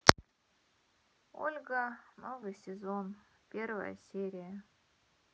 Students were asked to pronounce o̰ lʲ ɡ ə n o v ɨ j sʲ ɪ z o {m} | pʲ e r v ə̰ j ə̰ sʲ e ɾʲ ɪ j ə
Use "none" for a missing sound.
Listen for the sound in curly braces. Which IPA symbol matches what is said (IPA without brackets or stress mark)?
n